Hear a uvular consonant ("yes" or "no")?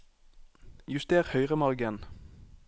yes